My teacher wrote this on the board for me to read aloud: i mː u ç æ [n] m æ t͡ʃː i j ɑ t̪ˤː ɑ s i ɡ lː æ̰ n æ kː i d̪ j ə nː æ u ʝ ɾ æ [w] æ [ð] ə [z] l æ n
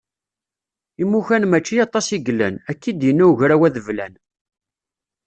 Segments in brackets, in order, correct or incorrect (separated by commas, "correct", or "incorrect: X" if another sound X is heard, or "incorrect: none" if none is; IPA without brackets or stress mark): correct, correct, correct, incorrect: v